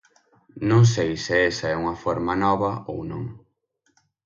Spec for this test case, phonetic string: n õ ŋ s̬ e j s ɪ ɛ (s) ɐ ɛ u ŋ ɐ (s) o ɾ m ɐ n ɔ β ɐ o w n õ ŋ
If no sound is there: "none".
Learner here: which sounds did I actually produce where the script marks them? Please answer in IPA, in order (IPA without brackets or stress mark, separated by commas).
s, f